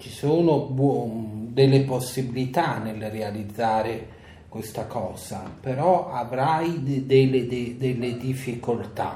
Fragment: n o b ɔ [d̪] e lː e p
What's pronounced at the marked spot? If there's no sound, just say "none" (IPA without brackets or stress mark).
d̪